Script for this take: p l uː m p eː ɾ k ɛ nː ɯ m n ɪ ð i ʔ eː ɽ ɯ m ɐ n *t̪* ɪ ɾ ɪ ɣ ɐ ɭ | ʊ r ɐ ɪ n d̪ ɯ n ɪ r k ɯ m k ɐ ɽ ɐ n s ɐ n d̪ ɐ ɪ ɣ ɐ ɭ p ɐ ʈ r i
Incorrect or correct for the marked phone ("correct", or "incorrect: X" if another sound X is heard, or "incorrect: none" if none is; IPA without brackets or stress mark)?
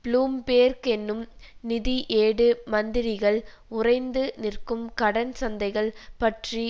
incorrect: d̪